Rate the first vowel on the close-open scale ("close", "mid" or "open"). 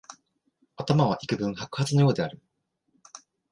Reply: open